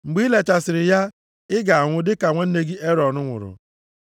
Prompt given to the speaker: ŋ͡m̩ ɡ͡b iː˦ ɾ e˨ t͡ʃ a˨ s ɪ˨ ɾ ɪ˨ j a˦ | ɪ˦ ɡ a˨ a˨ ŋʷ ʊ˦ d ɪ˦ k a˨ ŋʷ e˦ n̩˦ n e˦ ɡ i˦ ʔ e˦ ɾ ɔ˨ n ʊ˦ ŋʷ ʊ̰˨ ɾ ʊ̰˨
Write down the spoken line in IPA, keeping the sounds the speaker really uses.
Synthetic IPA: ŋ͡m̩ ɡ͡b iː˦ l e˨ t͡ʃ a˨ s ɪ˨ ɾ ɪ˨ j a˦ | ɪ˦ ɡ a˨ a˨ ŋʷ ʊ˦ d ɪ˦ k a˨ ŋʷ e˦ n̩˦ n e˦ ɡ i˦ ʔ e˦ ɾ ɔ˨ n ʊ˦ ŋʷ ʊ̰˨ ɾ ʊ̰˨